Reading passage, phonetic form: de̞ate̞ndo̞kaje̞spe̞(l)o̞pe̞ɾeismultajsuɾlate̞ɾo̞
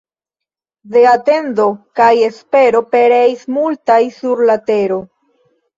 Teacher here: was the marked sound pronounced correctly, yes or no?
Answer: no